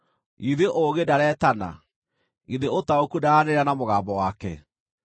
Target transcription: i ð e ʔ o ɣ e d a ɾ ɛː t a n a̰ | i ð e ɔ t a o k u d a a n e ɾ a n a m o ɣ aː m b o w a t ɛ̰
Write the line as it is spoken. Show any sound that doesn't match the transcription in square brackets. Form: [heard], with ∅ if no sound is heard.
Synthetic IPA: i ð e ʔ o ɣ e d a ɾ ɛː t a n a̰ | i ð e [o] t a o k u d a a n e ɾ a n a m o ɣ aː m b [ɔ] w a [k] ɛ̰